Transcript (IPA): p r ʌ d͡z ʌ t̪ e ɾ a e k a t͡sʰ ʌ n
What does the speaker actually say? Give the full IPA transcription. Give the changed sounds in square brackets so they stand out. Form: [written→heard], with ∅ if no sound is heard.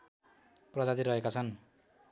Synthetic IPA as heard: p r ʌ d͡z [ʌ→a] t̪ [e→i] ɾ [a→ʌ] e k a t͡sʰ ʌ n